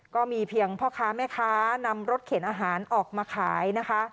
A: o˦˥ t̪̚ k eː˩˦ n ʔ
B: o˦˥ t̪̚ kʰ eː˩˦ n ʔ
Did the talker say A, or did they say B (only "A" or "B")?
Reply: B